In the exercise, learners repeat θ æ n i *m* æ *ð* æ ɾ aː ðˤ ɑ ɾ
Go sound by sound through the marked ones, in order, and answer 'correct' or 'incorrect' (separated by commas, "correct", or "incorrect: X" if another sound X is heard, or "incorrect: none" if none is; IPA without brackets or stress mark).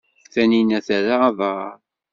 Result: incorrect: n, incorrect: θ